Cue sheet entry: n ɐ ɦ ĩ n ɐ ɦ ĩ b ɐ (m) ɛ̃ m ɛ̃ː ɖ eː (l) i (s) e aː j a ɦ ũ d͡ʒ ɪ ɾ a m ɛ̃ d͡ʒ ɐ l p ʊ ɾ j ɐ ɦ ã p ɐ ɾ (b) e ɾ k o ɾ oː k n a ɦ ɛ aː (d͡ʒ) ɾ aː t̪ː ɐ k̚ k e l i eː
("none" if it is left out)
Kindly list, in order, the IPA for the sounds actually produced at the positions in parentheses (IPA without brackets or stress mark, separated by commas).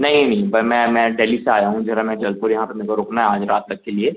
m, l, s, m, d͡ʒ